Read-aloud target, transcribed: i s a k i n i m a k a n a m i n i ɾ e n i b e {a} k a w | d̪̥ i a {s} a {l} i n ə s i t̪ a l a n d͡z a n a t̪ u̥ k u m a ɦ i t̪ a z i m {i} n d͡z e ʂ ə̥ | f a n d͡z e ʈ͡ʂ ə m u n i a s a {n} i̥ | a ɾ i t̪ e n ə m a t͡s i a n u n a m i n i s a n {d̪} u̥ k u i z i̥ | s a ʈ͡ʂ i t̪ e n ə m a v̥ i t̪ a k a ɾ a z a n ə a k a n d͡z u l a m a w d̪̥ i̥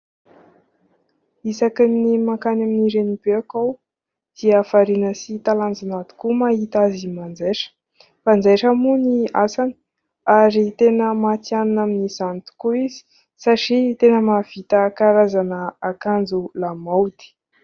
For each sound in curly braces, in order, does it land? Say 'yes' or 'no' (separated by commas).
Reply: yes, no, no, no, yes, no